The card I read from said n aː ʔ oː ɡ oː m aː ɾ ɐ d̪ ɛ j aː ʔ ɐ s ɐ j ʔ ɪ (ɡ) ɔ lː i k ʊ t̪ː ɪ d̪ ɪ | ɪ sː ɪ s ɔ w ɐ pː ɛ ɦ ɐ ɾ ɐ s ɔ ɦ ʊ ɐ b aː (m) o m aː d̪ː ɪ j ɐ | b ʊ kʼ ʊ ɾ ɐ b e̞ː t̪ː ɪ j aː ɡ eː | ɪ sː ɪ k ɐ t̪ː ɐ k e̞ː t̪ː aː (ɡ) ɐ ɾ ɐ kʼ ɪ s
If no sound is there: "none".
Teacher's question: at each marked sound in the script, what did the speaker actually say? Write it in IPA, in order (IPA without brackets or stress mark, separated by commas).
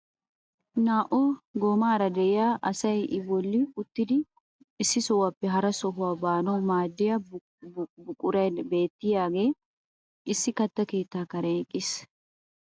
b, n, k